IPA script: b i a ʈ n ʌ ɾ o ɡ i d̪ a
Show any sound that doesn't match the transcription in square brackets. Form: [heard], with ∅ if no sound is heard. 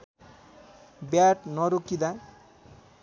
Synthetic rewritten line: b [j] a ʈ n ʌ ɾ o [k] i d̪ a